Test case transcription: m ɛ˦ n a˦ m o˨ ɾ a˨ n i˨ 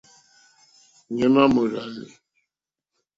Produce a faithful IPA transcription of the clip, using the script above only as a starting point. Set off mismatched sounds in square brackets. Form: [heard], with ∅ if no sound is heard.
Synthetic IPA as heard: [ɲ] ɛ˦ [m] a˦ m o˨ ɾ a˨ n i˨